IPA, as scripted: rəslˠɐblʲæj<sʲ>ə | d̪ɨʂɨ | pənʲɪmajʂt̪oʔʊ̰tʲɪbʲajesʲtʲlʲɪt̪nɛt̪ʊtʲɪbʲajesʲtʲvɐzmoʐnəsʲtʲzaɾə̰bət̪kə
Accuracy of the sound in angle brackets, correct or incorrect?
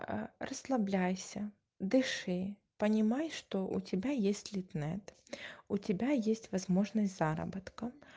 correct